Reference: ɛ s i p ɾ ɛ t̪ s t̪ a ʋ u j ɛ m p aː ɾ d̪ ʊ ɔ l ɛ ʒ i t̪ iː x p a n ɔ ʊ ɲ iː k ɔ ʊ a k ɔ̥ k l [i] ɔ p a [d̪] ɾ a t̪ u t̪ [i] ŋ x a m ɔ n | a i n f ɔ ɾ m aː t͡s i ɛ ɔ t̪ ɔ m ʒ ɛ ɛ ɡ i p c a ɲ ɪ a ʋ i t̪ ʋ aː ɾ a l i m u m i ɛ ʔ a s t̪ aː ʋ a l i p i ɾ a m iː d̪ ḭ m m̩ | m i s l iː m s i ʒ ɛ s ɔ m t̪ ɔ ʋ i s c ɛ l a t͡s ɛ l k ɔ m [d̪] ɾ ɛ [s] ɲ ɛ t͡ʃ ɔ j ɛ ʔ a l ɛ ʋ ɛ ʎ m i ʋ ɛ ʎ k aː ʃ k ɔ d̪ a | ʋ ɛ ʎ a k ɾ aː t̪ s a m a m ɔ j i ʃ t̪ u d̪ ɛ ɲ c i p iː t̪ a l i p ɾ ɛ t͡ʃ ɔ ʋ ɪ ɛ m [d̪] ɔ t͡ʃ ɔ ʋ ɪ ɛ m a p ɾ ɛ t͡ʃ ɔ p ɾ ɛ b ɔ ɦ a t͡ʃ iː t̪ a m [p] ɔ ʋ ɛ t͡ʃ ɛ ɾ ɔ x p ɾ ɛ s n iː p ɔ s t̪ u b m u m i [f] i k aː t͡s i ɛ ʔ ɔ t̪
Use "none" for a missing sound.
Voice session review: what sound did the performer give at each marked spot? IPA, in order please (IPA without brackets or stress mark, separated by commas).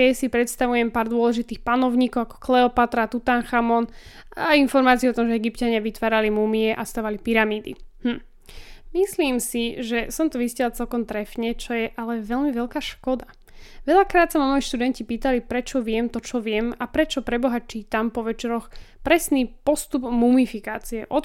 ɛ, t̪, a, t̪, f, t̪, p, f